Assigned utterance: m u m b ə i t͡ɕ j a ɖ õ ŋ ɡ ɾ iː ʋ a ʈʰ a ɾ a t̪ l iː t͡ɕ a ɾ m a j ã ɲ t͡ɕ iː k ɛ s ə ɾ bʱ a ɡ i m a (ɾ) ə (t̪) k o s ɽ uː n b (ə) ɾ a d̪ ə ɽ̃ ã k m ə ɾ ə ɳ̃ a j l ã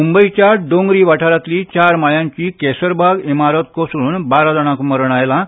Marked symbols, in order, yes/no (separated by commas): yes, yes, no